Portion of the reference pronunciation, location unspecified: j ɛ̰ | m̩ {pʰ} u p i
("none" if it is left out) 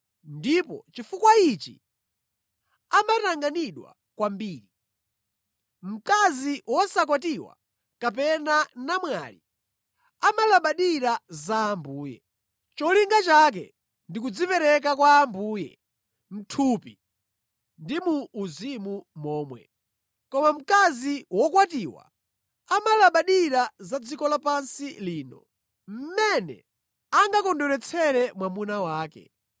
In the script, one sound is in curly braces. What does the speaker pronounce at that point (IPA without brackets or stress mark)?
tʰ